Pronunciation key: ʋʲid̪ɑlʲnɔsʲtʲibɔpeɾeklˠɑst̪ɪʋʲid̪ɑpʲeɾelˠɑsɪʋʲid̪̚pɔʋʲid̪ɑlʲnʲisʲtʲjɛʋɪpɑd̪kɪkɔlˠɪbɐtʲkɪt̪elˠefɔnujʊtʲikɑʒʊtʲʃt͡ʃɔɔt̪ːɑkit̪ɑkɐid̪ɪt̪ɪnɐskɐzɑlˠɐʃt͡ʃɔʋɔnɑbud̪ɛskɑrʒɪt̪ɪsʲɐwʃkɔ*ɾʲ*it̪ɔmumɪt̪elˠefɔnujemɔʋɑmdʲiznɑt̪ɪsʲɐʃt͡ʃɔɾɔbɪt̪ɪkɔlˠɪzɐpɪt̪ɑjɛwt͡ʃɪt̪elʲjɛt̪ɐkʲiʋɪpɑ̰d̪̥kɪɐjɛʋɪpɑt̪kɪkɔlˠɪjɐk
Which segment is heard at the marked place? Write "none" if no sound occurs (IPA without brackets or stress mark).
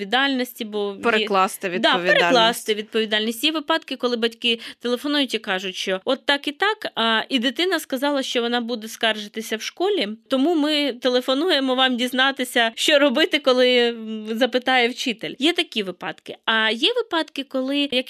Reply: lʲ